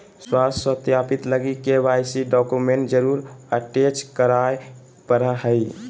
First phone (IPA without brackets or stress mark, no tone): s